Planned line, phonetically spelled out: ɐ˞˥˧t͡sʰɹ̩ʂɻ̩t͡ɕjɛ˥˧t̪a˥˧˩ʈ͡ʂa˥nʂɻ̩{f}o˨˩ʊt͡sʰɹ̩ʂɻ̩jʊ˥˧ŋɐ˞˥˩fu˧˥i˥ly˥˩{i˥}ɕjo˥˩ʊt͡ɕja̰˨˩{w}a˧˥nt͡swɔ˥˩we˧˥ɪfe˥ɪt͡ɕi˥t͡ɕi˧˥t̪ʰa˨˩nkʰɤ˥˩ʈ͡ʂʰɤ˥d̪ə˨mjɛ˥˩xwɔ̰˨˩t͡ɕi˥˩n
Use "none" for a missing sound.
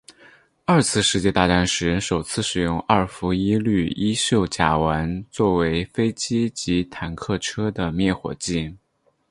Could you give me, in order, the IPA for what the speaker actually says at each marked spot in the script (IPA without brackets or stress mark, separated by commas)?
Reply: ʂ, i˥, w